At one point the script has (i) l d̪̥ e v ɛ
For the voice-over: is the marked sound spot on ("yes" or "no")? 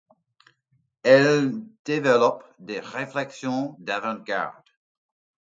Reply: no